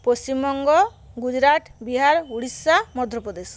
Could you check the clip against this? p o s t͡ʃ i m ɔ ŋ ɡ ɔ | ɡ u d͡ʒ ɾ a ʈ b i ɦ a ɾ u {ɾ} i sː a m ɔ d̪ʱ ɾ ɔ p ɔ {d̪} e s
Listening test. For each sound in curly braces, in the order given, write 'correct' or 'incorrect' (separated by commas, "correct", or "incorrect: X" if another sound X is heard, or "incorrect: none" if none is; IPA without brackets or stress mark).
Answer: incorrect: ɽ, correct